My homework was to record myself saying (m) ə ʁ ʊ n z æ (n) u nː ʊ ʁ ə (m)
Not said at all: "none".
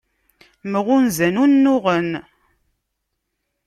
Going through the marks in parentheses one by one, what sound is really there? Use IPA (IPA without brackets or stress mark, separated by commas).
m, n, n